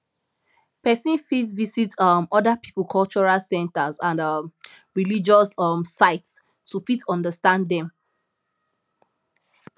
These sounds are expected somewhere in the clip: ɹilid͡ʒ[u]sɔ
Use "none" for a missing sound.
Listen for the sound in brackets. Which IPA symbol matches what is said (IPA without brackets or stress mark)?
ɔ